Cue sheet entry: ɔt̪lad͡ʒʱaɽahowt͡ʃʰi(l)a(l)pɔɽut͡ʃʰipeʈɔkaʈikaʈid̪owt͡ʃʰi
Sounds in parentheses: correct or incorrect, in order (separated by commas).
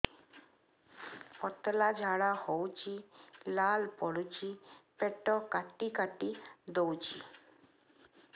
correct, correct